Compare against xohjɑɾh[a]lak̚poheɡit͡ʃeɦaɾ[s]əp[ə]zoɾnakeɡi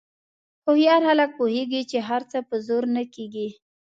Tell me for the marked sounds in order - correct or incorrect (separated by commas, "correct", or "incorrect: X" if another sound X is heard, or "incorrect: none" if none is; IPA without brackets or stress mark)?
correct, incorrect: t͡s, correct